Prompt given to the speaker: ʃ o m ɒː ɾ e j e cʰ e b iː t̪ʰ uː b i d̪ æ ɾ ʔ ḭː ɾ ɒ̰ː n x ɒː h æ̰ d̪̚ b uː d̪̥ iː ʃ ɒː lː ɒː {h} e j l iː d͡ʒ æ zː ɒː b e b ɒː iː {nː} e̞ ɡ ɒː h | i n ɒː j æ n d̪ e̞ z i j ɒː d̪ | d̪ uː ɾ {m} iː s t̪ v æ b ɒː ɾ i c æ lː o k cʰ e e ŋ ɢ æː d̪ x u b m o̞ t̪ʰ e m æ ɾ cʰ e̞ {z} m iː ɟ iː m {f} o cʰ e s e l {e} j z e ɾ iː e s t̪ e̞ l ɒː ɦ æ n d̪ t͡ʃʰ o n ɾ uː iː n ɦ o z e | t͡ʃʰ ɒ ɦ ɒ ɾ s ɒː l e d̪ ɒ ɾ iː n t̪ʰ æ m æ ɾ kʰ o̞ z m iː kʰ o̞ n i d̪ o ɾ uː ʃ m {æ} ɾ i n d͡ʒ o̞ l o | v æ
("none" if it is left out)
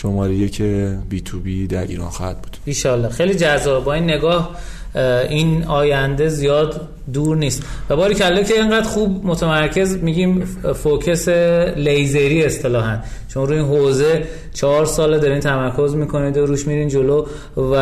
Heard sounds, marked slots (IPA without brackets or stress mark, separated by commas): x, nː, n, z, f, e, i